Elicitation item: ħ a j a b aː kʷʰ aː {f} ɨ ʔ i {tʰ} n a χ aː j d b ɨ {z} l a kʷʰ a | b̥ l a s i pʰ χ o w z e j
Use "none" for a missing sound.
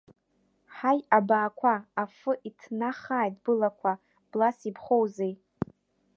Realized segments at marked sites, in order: f, tʰ, none

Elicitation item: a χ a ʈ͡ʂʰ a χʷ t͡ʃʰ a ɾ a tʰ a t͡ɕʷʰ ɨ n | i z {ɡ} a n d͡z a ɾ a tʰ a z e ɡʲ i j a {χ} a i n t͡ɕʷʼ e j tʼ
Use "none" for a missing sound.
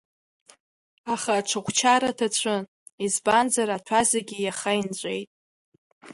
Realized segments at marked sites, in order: b, χ

